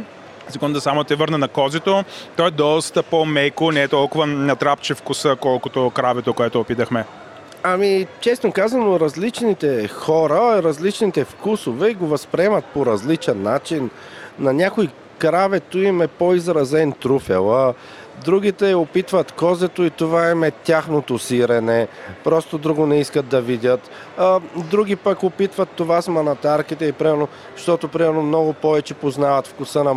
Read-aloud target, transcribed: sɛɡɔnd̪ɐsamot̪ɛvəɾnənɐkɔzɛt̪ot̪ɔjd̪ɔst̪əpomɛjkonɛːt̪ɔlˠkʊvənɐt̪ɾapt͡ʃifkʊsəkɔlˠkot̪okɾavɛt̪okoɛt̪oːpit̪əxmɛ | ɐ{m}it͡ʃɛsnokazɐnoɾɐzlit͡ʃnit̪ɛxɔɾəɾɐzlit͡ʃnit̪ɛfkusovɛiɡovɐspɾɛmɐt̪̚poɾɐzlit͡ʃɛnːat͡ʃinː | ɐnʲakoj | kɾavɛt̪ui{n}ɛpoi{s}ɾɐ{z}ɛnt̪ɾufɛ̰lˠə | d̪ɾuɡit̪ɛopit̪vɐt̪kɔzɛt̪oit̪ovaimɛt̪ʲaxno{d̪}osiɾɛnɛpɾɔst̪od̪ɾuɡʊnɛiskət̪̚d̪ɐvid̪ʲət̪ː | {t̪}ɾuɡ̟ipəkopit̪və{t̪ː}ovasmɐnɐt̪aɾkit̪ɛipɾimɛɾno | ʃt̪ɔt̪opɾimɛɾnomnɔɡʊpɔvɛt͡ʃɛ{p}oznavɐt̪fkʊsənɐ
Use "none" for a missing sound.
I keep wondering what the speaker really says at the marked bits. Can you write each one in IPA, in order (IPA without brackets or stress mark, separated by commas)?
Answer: m, m, z, z, t̪, d̪, t̪ː, p